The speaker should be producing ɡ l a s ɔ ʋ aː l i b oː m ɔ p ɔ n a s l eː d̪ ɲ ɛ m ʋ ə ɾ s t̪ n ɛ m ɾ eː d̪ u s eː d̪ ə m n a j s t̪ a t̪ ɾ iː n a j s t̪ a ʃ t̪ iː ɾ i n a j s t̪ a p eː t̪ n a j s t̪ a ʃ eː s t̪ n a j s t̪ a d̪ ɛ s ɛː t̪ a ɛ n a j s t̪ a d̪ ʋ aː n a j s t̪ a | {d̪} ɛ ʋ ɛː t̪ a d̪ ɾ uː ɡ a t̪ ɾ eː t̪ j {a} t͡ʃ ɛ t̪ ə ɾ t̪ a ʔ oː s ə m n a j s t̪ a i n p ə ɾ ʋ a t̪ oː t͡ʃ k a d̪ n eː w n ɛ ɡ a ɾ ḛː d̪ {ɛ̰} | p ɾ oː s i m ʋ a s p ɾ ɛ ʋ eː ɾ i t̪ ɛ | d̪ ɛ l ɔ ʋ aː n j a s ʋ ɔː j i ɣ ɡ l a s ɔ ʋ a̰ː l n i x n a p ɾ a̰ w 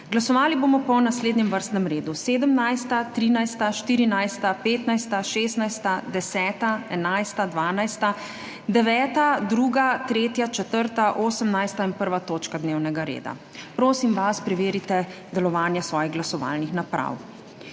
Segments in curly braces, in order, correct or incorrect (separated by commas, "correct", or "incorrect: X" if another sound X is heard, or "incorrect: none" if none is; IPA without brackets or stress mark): correct, correct, incorrect: a̰